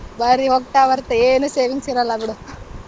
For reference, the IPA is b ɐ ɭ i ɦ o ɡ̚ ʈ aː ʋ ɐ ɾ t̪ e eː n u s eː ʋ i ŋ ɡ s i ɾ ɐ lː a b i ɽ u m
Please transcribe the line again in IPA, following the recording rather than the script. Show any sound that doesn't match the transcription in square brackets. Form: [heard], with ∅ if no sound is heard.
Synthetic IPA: b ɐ [ɾ] i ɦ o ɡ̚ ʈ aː ʋ ɐ ɾ t̪ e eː n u s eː ʋ i ŋ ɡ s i ɾ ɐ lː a b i ɽ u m